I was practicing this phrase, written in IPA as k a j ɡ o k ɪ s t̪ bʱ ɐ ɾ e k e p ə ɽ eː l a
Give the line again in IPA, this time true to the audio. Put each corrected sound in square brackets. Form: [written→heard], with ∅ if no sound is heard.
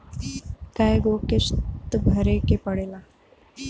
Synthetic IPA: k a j ɡ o k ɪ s t̪ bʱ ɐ ɾ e k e p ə ɽ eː l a